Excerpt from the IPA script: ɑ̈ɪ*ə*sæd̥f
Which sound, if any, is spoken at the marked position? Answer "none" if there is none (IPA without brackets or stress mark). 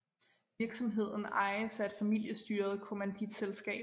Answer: ə